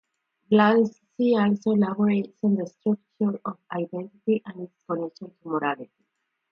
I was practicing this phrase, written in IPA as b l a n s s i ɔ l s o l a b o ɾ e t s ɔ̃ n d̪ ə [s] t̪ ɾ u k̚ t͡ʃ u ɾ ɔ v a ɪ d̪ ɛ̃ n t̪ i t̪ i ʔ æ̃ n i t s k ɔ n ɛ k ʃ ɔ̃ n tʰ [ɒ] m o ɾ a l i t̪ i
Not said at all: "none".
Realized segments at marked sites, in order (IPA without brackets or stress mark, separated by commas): s, u